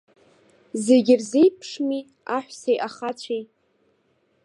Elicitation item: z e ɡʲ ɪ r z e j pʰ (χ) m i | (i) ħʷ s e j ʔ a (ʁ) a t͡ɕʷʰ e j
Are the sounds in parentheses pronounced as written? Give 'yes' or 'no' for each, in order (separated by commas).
no, no, no